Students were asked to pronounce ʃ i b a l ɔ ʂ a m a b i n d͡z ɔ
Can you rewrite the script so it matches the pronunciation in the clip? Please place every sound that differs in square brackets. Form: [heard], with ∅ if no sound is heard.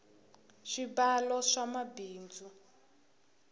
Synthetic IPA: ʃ i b a l ɔ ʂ a m a b [iː] n d͡z [u]